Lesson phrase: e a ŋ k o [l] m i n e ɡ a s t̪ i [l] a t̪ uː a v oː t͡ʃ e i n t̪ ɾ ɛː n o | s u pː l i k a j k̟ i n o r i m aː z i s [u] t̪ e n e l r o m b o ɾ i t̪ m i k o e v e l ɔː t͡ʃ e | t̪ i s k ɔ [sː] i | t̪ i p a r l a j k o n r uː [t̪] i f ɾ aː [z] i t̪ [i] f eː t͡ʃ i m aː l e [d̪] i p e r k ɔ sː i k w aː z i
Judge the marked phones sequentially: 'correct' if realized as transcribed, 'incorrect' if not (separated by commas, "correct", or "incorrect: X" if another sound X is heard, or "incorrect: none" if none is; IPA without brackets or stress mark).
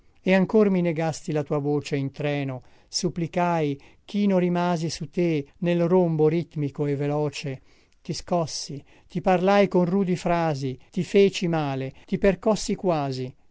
incorrect: r, correct, correct, correct, incorrect: d̪, correct, correct, incorrect: t̪